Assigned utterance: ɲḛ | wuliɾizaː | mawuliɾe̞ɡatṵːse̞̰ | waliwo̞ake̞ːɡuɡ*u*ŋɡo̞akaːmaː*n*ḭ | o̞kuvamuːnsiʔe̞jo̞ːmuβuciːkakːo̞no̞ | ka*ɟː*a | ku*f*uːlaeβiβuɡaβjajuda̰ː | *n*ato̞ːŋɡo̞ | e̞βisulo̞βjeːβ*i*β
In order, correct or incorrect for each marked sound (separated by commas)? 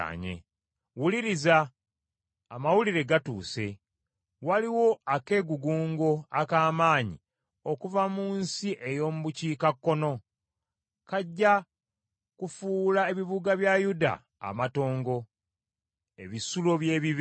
incorrect, incorrect, correct, correct, incorrect, correct